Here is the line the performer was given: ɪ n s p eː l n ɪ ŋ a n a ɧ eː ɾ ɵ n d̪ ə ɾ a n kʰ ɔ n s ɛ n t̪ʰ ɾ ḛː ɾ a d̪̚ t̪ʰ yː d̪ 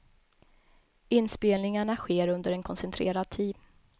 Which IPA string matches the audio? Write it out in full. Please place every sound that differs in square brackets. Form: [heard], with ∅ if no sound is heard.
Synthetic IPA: ɪ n s p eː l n ɪ ŋ a [ɳ] a ɧ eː ɾ ɵ n d̪ ə ɾ [ɛ] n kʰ ɔ n s ɛ n t̪ʰ ɾ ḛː ɾ a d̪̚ t̪ʰ [iː] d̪